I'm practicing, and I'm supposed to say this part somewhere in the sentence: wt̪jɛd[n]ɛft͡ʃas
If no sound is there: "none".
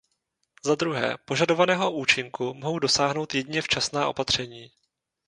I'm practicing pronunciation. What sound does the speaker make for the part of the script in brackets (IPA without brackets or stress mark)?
ɲ